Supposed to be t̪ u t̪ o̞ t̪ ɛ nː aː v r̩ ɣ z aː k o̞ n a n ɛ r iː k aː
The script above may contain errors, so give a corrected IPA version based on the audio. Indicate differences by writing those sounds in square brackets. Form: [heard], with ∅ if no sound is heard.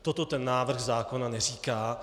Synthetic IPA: t̪ [o] t̪ o̞ t̪ ɛ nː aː v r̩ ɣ z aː k o̞ n a n ɛ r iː k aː